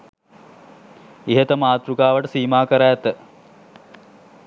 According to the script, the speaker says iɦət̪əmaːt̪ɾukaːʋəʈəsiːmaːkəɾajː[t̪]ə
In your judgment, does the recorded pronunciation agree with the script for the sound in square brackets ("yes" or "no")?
yes